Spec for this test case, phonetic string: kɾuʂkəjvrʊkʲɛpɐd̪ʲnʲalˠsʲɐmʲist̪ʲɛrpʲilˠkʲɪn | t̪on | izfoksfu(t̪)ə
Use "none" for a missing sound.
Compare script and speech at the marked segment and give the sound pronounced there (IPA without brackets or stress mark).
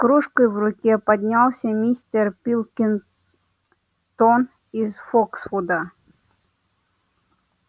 d̪